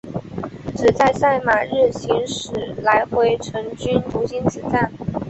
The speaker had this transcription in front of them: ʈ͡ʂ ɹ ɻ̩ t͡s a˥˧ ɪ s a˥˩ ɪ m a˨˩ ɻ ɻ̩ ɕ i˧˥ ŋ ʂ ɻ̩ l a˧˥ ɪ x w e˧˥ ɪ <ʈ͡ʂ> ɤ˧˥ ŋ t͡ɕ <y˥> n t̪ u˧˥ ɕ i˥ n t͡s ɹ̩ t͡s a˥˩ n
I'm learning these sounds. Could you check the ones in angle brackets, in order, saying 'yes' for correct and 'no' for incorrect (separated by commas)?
no, yes